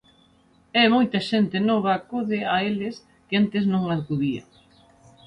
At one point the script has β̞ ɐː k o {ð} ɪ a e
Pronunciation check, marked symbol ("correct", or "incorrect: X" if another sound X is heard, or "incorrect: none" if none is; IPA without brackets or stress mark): correct